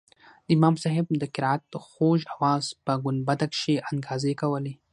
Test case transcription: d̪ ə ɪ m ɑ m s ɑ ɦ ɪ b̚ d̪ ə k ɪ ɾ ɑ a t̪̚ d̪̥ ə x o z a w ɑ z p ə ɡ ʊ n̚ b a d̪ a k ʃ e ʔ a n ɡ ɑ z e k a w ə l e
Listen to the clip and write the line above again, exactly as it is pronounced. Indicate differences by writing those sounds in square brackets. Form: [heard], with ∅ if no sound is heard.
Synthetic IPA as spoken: d̪ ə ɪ m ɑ m s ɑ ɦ ɪ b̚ d̪ ə k ɪ ɾ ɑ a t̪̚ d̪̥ ə x o [ʒ] a w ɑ z p ə ɡ ʊ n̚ b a d̪ a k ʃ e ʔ a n ɡ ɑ z e k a w ə l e